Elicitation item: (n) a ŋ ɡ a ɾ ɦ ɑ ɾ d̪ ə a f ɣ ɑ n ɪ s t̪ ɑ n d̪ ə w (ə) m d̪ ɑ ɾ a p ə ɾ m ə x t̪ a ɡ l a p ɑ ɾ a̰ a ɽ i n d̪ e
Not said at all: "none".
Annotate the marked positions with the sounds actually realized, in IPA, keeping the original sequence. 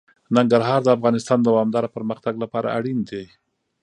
n, ɑ

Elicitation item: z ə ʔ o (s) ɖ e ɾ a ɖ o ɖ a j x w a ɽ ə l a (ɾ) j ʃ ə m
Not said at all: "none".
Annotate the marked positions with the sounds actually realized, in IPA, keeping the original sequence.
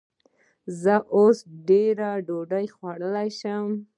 s, none

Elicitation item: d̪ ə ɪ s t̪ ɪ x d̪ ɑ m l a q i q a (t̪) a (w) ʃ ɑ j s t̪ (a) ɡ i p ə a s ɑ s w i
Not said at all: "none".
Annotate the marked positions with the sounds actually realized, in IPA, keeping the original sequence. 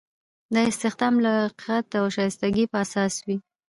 t̪, w, a

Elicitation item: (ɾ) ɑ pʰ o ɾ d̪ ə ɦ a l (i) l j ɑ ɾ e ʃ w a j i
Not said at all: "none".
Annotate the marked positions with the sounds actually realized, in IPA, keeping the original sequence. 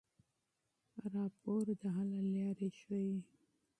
ɾ, a

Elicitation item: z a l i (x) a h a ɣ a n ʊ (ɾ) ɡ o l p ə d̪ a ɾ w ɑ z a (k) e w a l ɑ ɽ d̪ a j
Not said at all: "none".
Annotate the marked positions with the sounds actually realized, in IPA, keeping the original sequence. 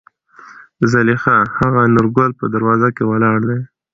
x, ɾ, k

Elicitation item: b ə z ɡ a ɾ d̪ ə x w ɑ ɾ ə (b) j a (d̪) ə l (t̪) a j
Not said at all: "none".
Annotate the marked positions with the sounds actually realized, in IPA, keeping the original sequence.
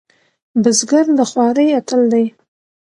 none, t̪, d̪

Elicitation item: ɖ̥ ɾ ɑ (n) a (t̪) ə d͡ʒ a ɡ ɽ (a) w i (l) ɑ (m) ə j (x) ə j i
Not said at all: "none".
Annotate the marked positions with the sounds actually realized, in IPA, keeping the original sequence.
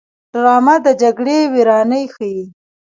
m, d̪, e, ɾ, n, x

